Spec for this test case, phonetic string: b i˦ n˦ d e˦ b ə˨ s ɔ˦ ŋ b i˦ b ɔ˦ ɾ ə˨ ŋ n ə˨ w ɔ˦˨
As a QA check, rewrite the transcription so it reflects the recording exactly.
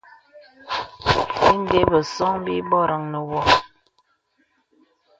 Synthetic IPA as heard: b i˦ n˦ d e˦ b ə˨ s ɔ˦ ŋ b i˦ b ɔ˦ ɾ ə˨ ŋ n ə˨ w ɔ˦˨